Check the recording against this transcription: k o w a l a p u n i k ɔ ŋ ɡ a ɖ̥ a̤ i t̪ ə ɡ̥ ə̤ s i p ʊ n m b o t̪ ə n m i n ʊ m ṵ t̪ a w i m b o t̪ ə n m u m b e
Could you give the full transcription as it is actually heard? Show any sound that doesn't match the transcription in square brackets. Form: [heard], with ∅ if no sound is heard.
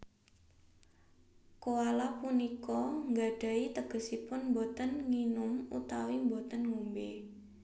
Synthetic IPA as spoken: k o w a l a p u n i k ɔ ŋ ɡ a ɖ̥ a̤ i t̪ ə ɡ̥ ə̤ s i p ʊ n m b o t̪ ə n [ŋ] i n ʊ m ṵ t̪ a w i m b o t̪ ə n [ŋ] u m b e